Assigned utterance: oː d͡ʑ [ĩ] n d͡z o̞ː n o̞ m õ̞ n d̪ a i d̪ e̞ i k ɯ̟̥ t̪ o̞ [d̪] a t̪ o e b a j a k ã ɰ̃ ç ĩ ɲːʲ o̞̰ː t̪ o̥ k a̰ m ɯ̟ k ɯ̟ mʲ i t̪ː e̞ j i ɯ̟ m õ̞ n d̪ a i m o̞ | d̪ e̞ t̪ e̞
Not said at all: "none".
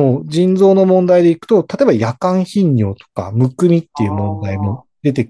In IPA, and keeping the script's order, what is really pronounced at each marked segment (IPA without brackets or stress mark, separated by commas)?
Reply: ĩ, t̪